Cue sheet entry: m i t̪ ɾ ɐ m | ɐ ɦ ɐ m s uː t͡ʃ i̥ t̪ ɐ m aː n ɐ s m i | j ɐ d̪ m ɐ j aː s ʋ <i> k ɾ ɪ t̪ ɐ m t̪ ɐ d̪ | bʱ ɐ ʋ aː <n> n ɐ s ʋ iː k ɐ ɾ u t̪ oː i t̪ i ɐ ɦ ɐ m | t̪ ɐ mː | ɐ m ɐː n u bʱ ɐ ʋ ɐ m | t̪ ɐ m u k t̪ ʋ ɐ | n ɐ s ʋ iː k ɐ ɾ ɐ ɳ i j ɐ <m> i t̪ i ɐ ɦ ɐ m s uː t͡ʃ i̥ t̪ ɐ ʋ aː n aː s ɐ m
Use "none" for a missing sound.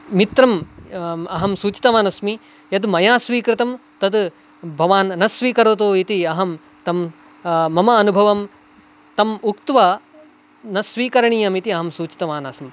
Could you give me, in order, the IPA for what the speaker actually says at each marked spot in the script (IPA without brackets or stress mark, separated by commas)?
iː, n, m